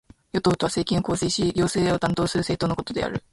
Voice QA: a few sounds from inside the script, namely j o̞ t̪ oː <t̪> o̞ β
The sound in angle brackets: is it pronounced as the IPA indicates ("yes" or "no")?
yes